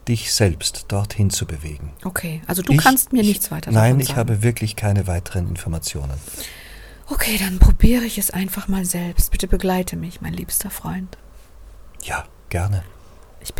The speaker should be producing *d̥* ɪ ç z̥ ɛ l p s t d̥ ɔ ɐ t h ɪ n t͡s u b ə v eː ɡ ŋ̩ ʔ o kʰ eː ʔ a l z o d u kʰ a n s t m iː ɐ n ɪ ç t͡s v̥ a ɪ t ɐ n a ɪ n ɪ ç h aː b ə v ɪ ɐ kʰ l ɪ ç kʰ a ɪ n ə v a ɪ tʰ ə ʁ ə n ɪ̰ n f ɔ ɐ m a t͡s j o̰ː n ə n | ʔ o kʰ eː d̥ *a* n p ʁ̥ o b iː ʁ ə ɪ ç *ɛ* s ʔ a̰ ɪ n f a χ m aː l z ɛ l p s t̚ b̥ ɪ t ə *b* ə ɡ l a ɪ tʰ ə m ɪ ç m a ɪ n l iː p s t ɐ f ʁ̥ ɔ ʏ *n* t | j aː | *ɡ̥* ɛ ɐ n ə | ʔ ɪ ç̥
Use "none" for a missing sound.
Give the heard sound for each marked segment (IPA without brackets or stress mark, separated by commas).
d̥, a, ɛ, b, n, ɡ̥